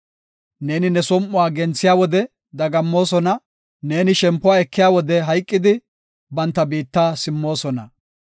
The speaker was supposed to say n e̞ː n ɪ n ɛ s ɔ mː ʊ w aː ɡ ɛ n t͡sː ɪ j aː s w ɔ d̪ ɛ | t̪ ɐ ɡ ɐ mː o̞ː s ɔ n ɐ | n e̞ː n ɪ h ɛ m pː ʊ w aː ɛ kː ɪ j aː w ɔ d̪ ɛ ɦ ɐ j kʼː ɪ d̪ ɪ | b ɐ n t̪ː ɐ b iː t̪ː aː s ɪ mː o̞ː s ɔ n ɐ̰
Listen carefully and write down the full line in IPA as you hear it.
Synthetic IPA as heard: n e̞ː n ɪ n ɛ s ɔ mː ʊ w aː ɡ ɛ n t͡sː ɪ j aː w ɔ d̪ ɛ | d̪ ɐ ɡ ɐ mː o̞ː s ɔ n ɐ | n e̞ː n ɪ ʃ ɛ m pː ʊ w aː ɛ kː ɪ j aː w ɔ d̪ ɛ ɦ ɐ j kʼː ɪ d̪ ɪ | b ɐ n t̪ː ɐ b iː t̪ː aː s ɪ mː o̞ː s ɔ n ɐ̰